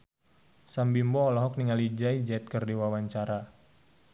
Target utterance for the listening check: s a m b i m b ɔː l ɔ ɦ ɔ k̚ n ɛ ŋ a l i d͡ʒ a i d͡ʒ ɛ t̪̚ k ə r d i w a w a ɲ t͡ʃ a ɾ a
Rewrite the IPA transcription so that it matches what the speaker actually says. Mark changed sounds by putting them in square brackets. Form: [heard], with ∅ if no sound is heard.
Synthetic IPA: s a m b i m b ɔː l ɔ ɦ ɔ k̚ n [i] ŋ a l i d͡ʒ a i d͡ʒ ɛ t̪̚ k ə r d i w a w a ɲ t͡ʃ a ɾ a

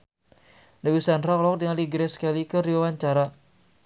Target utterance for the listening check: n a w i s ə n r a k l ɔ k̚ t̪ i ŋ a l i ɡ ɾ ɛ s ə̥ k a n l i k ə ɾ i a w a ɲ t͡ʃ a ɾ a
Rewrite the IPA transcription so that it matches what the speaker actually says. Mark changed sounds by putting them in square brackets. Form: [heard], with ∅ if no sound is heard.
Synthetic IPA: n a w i s [a] n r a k l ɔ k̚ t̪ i ŋ a l i ɡ ɾ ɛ s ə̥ k a [∅] l i k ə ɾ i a w a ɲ t͡ʃ a ɾ a

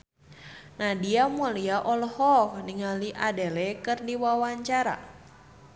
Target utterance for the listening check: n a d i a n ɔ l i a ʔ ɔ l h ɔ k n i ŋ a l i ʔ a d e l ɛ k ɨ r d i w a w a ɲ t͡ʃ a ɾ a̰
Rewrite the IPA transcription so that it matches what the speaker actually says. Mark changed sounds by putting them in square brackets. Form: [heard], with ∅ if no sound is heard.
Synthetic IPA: n a d i a [m] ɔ l i a ʔ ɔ l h ɔ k n i ŋ a l i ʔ a d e l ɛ k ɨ r d i w a w a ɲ t͡ʃ a ɾ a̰

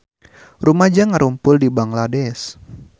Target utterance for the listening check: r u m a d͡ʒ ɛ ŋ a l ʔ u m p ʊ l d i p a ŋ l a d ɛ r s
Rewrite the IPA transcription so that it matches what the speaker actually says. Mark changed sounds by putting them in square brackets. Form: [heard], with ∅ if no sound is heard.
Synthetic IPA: r u m a d͡ʒ [a] ŋ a [ɾ] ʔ u m p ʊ l d i [b] a ŋ l a d ɛ [∅] s

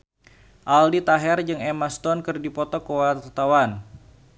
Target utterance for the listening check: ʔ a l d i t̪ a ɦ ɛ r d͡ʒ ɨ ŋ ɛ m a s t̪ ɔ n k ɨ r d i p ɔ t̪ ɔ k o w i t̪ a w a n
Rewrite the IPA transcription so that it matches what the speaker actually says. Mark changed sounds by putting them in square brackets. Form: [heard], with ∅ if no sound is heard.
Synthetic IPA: ʔ a l d i t̪ a ɦ ɛ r d͡ʒ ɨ ŋ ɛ m a s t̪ ɔ n k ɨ r d i p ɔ t̪ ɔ k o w [a] t̪ a w a n

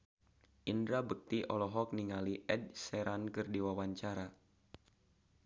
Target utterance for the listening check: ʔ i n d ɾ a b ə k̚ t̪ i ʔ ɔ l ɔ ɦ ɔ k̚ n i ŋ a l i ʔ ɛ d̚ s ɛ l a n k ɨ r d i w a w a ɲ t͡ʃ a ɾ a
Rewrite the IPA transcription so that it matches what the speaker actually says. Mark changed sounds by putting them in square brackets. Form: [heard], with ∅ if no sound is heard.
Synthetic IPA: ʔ i n d ɾ a b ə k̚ t̪ i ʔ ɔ l ɔ ɦ ɔ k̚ n i ŋ a l i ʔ ɛ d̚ s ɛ [ɾ] a n k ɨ r d i w a w a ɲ t͡ʃ a ɾ a

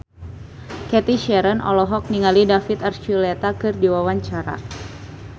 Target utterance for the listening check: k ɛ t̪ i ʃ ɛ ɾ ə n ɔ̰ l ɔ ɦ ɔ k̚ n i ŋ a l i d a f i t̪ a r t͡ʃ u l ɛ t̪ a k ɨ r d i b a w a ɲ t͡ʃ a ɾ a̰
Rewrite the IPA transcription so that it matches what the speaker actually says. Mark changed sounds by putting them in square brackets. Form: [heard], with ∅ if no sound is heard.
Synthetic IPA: k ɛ t̪ i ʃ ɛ ɾ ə n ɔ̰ l ɔ ɦ ɔ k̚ n i ŋ a l i d a f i t̪ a r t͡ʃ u l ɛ t̪ a k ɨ r d i [w] a w a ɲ t͡ʃ a ɾ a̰

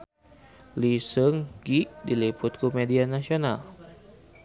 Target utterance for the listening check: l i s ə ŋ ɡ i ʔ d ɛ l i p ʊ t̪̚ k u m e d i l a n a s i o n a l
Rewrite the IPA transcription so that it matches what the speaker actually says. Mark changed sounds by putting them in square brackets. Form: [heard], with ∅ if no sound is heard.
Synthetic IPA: l i s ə ŋ ɡ i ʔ d [i] l i p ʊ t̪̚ k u m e d i [∅] a n a s i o n a l

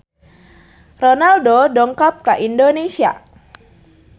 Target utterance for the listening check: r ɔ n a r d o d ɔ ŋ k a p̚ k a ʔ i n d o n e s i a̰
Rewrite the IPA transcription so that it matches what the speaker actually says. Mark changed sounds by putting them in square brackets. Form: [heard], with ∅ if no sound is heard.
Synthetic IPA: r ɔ n a [l] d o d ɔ ŋ k a p̚ k a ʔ i n d o n e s i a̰

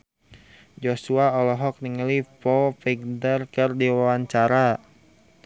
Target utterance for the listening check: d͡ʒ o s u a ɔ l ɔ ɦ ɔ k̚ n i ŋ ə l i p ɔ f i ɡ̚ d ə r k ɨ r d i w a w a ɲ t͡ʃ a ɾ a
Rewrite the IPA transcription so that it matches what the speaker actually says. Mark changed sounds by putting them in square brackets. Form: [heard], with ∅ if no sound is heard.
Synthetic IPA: d͡ʒ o s u a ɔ l ɔ ɦ ɔ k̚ n i ŋ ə l i p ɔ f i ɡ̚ d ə r k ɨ r d i w a w a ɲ t͡ʃ a ɾ a

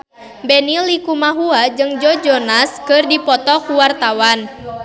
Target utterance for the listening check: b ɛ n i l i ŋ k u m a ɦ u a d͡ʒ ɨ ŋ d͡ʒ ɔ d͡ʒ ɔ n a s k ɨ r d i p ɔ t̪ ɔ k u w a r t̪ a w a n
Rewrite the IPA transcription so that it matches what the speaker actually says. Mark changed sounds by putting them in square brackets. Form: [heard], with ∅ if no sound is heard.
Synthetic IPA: b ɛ n i l i [∅] k u m a ɦ u a d͡ʒ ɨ ŋ d͡ʒ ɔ d͡ʒ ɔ n a s k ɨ r d i p ɔ t̪ ɔ k u w a r t̪ a w a n

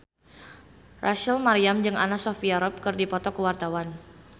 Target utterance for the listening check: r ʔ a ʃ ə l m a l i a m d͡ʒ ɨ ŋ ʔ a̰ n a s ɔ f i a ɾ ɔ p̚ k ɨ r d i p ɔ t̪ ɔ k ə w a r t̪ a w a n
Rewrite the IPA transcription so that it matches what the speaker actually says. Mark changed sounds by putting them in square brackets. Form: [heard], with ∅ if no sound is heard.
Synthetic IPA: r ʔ a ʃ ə l m a [ɾ] i a m d͡ʒ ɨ ŋ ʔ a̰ n a s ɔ f i a ɾ ɔ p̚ k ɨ r d i p ɔ t̪ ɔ k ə w a r t̪ a w a n

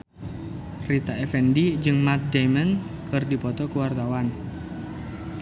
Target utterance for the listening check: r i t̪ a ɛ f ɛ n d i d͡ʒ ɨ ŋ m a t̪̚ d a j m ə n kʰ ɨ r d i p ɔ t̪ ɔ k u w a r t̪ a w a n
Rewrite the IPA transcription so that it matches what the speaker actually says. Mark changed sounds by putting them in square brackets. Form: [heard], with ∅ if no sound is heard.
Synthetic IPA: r i t̪ a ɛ f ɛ n d i d͡ʒ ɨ ŋ m a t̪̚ d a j m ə n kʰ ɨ r d i p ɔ t̪ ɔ k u w a r t̪ a w a n

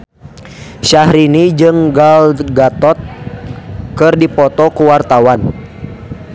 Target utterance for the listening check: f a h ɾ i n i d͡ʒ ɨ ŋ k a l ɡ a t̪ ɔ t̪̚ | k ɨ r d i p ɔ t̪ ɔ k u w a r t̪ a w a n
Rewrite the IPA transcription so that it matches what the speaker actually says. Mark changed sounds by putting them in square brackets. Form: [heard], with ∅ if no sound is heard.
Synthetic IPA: [ʃ] a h ɾ i n i d͡ʒ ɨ ŋ [ɡ] a l ɡ a t̪ ɔ t̪̚ | k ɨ r d i p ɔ t̪ ɔ k u w a r t̪ a w a n

